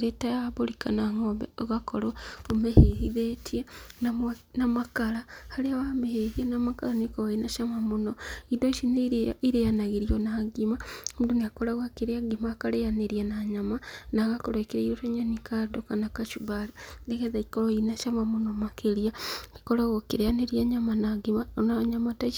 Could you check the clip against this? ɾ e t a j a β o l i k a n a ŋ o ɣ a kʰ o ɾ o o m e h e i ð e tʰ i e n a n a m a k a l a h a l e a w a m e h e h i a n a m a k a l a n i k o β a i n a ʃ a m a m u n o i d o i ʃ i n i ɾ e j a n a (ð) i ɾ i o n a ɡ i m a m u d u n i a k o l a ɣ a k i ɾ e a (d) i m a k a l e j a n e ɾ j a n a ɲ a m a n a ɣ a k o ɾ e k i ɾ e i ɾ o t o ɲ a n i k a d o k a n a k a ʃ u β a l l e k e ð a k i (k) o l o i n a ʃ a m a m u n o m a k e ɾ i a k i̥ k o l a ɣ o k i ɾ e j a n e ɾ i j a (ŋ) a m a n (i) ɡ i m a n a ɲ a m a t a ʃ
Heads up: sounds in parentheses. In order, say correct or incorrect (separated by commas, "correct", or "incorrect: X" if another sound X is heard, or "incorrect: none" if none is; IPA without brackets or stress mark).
incorrect: ɣ, incorrect: ɡ, correct, incorrect: ɲ, incorrect: a